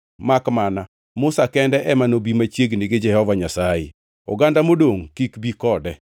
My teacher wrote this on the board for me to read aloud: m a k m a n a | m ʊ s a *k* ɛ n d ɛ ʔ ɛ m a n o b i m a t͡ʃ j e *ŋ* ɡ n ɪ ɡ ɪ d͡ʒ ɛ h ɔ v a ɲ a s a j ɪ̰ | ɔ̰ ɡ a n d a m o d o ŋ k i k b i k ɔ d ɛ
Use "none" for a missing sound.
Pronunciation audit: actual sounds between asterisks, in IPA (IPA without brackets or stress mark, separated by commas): k, none